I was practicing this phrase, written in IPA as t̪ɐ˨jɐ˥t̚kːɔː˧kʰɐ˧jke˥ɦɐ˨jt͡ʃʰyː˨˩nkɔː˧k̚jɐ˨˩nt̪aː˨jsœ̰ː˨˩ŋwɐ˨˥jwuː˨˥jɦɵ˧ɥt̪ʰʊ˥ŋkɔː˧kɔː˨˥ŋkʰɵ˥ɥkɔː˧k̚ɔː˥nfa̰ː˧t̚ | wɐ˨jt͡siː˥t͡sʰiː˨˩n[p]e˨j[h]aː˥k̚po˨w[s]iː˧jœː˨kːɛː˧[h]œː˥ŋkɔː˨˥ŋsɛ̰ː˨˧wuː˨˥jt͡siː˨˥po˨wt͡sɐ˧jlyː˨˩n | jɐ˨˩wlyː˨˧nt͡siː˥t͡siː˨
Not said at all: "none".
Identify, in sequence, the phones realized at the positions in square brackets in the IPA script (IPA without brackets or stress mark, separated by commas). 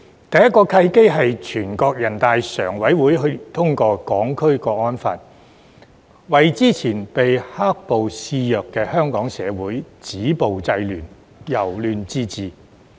p, h, s, h